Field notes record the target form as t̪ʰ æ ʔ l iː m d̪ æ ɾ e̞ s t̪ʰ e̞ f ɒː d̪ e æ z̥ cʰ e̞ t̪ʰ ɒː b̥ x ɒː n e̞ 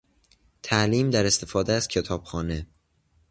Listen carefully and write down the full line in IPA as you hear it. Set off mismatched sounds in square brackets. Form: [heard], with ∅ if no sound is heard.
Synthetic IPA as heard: t̪ʰ æ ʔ l iː m d̪ æ ɾ e̞ s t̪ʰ e̞ f ɒː d̪ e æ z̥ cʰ e̞ t̪ʰ ɒː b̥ x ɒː n e̞